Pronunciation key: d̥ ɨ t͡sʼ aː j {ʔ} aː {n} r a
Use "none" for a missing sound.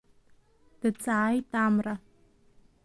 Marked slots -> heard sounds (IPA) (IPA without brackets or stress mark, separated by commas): t, m